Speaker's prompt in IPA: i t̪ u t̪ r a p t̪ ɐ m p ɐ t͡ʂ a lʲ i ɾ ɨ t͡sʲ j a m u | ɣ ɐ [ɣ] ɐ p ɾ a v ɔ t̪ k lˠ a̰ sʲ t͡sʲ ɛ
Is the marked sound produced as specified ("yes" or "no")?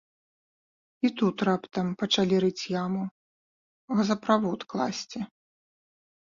no